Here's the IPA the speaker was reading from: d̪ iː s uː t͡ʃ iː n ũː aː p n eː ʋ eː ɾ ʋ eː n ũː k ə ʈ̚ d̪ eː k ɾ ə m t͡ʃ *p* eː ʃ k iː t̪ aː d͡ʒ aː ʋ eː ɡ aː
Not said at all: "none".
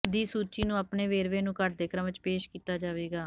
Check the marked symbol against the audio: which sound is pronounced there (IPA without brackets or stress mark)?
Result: p